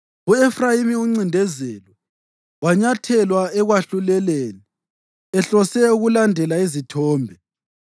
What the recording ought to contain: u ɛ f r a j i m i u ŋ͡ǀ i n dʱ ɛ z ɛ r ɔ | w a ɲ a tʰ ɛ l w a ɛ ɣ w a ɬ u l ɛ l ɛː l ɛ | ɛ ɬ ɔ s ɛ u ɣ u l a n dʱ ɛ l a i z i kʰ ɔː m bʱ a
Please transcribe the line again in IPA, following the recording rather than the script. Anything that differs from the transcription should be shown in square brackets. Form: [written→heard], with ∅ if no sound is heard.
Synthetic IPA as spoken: u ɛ f r a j i m i u ŋ͡ǀ i n dʱ ɛ z ɛ [r→l] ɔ | w a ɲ a tʰ ɛ l w a ɛ ɣ w a ɬ u l ɛ l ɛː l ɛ | ɛ ɬ ɔ s ɛ u ɣ u l a n dʱ ɛ l a i z i [kʰ→tʰ] ɔː m bʱ [a→ɛ]

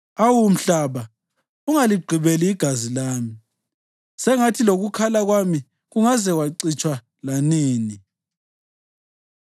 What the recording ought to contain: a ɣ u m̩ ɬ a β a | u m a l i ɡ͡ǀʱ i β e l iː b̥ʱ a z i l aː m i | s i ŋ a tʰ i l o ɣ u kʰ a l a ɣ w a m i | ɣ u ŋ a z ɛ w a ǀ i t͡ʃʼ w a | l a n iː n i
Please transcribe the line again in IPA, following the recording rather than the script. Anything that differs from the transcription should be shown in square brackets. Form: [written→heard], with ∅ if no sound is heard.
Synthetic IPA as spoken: a [ɣ→w] u m̩ ɬ a β a | u [m→ŋ] a l i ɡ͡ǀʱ i β e l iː [b̥ʱ→ɡ̥ʱ] a z i l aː m i | s [i→ɛ] ŋ a tʰ i l o ɣ u kʰ a l a ɣ w a m i | ɣ u ŋ a z ɛ w a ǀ i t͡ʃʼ w a | l a n iː n i

